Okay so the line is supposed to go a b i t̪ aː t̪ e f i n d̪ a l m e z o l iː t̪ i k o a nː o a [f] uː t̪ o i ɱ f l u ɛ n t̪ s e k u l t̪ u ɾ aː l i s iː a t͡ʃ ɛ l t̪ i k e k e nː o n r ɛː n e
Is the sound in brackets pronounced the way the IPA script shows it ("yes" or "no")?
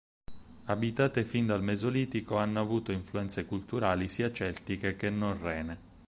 no